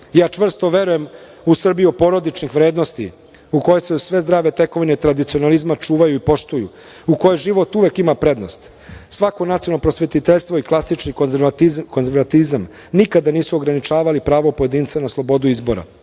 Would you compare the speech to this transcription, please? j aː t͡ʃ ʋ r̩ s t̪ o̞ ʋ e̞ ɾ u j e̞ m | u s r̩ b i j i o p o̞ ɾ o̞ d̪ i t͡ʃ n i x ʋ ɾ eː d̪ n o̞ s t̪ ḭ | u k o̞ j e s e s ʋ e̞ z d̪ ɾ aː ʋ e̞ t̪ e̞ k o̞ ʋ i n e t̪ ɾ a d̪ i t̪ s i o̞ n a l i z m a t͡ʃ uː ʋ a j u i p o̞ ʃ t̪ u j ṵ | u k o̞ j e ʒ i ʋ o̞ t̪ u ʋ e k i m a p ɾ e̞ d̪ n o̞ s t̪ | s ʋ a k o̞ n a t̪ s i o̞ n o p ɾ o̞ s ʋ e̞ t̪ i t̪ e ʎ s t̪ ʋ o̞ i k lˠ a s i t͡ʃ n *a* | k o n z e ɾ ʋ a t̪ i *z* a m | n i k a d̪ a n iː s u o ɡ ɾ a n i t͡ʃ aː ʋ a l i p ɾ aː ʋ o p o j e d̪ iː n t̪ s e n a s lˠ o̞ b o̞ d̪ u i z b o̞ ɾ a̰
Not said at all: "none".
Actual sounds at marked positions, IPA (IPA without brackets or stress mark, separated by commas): i, z